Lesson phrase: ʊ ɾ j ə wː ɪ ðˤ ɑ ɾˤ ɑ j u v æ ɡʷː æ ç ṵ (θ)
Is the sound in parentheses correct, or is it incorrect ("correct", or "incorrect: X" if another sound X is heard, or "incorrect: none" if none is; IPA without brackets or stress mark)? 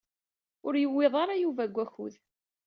incorrect: ð